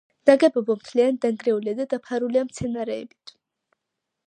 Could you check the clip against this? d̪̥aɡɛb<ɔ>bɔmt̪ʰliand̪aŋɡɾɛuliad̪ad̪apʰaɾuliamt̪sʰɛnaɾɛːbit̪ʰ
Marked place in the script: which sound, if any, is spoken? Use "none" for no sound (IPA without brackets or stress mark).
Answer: ɔ